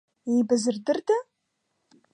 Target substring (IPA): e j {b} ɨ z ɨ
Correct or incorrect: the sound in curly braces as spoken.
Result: correct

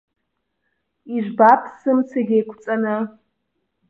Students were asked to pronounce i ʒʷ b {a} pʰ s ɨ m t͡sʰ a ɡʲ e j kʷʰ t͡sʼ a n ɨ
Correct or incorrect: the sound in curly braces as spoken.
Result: correct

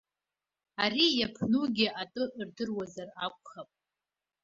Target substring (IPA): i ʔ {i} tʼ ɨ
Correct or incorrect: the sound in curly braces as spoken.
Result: incorrect: a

